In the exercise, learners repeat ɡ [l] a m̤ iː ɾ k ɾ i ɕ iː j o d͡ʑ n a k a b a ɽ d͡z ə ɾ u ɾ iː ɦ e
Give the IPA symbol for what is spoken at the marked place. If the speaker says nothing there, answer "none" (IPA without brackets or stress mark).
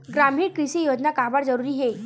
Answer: ɾ